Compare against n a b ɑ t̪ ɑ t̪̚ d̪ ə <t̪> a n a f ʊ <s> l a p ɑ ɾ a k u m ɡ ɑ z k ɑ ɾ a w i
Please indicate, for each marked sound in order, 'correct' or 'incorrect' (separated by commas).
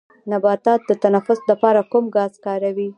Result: correct, correct